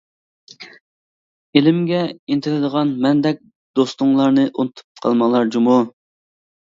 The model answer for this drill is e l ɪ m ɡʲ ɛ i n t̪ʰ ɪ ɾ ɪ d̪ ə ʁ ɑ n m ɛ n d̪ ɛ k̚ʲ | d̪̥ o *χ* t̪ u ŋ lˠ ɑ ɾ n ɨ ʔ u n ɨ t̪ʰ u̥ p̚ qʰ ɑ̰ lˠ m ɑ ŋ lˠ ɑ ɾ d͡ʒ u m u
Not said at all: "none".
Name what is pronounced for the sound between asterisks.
s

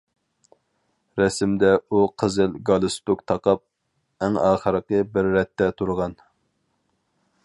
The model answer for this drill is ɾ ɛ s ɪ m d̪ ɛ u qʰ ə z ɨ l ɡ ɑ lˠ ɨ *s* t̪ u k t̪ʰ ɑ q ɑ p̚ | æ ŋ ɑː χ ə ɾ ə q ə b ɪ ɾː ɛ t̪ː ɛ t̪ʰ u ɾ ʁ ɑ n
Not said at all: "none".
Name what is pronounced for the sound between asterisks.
s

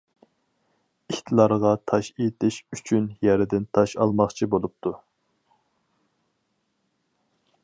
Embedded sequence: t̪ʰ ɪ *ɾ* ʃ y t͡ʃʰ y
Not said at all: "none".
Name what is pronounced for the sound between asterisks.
none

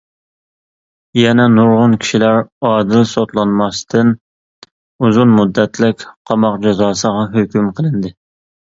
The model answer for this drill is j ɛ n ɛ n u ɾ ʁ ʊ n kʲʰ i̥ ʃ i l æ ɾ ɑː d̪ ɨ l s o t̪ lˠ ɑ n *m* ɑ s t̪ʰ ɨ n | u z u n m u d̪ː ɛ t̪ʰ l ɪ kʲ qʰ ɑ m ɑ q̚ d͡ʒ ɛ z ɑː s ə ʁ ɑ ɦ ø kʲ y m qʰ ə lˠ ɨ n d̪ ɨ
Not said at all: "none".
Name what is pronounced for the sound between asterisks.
m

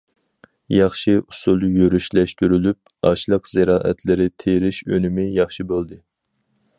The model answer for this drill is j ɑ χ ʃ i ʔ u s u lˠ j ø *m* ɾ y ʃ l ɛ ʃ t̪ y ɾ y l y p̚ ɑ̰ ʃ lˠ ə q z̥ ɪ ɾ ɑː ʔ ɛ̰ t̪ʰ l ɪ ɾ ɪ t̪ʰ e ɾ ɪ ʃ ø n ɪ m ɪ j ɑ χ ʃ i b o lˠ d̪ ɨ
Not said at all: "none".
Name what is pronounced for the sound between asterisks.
none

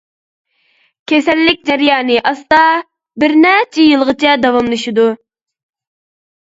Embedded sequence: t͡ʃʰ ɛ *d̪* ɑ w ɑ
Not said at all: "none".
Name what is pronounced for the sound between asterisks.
d̪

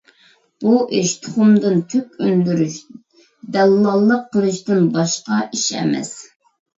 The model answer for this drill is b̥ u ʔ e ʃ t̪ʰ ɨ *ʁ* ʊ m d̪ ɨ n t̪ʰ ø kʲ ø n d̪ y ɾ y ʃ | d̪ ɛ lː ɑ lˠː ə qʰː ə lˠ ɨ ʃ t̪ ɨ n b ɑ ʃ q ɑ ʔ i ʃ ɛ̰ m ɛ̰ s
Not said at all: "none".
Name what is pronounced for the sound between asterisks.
χ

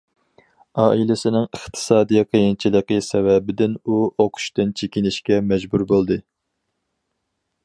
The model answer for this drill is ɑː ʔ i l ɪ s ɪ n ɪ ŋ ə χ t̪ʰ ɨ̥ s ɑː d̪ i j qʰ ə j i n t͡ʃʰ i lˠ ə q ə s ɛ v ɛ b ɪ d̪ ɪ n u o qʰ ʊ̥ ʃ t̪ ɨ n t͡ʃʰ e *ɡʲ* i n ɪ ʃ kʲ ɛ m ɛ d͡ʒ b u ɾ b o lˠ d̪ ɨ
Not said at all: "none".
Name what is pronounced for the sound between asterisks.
kʲ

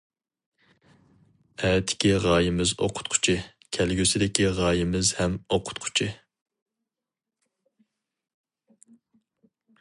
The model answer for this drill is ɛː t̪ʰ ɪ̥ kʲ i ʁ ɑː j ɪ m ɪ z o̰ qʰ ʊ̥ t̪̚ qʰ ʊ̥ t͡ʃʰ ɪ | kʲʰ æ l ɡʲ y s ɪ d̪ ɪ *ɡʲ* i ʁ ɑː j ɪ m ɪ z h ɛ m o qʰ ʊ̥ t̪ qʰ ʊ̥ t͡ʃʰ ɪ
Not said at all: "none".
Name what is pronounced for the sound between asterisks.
kʲ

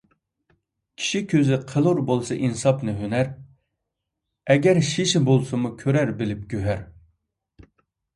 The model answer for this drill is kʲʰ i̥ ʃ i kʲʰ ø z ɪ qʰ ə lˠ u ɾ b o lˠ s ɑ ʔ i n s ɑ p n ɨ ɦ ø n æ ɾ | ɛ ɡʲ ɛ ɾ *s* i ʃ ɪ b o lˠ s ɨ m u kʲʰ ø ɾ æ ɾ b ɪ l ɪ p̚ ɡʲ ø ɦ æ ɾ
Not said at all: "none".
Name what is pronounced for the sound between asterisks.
ʃ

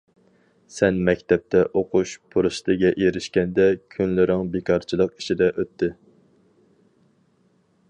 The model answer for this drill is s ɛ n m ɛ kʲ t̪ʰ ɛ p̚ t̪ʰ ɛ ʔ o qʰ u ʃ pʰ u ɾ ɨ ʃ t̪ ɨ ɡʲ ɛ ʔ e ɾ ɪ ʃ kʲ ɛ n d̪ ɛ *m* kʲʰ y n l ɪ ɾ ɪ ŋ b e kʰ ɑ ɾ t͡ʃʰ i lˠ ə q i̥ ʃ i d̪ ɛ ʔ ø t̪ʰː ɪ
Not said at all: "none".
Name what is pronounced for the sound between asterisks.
none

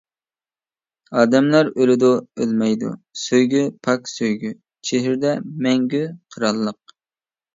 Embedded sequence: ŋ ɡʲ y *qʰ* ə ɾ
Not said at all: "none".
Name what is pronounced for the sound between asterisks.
qʰ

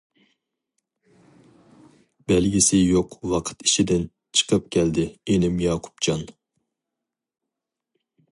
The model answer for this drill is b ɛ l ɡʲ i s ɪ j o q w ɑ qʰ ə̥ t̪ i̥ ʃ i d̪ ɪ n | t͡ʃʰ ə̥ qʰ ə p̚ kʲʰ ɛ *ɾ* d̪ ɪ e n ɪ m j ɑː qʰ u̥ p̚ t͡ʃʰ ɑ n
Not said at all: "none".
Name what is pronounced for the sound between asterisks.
l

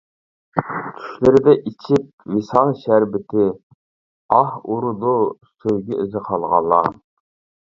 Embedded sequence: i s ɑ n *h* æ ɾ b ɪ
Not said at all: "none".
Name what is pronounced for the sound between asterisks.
ʃ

